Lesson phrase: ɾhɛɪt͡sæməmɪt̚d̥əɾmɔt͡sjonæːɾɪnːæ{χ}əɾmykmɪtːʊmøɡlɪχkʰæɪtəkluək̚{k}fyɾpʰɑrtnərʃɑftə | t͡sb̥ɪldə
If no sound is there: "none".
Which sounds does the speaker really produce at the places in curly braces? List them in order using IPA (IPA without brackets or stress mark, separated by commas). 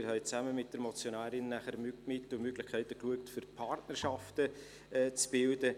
χ, t